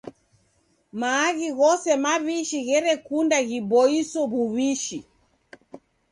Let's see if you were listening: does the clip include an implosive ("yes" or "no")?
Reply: no